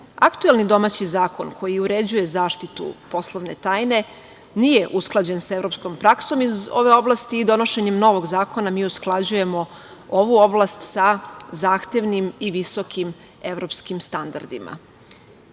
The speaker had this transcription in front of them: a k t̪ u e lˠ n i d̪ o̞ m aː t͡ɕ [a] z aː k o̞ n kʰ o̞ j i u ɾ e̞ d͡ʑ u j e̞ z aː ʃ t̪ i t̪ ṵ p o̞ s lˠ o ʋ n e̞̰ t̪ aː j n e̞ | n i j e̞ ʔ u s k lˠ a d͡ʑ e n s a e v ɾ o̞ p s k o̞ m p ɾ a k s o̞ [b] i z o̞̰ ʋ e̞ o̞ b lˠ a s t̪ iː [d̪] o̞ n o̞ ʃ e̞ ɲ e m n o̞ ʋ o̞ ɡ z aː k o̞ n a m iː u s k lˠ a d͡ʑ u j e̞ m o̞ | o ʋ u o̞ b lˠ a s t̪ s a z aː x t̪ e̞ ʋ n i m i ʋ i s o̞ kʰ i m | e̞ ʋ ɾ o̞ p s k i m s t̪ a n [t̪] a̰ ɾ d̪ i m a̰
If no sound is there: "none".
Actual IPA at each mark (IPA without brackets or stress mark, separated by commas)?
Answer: i, m, d̪, d̪